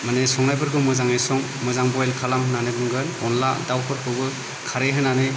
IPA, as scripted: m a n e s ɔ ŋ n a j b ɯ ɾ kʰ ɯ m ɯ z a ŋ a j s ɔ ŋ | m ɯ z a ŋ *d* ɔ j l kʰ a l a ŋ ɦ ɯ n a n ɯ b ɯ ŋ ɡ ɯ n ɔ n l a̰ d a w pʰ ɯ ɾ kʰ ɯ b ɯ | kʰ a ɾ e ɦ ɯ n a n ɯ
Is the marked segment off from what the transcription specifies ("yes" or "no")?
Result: yes